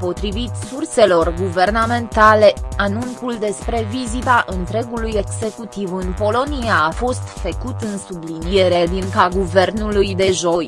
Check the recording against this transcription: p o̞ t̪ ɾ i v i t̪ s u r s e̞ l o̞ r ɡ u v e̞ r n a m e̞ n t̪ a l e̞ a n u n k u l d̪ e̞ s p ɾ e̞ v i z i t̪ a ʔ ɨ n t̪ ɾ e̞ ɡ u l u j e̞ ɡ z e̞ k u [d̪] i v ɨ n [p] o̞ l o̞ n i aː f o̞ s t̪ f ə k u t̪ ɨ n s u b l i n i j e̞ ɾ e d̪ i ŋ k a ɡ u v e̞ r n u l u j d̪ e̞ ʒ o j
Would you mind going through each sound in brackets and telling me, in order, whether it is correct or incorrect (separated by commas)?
incorrect, correct